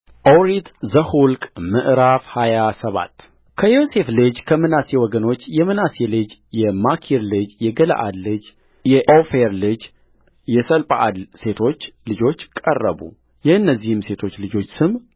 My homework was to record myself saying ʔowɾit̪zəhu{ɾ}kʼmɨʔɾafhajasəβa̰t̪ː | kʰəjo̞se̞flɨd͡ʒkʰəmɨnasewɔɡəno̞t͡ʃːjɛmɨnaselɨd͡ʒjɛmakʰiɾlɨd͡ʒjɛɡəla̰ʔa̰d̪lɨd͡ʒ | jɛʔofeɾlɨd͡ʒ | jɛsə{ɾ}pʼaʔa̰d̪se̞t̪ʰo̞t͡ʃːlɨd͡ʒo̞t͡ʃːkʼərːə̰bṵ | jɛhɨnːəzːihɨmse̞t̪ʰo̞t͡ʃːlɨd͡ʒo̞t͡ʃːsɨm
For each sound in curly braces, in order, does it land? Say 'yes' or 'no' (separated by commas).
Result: no, no